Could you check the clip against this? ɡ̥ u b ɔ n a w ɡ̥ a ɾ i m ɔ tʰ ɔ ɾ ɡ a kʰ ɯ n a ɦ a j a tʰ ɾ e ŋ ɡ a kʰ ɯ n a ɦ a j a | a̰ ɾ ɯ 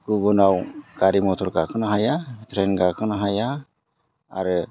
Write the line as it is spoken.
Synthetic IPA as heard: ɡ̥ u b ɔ n a w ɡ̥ a ɾ i m ɔ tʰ ɔ ɾ ɡ a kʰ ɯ n a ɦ a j a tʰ ɾ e n ɡ a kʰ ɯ n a ɦ a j a | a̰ ɾ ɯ